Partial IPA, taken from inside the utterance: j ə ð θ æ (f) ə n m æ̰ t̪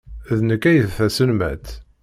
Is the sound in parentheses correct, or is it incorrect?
incorrect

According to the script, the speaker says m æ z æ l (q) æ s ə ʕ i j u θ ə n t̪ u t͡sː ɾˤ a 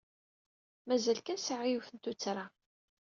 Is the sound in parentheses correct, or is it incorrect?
incorrect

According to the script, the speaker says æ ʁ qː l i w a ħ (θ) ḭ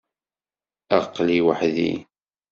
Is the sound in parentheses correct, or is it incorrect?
incorrect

